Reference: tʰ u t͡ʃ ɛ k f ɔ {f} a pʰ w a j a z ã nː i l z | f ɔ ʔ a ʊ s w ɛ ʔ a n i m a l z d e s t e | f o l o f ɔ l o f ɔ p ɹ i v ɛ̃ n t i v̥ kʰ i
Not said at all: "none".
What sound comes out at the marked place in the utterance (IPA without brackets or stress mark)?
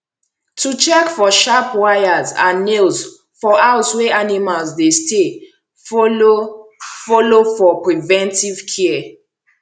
ʃ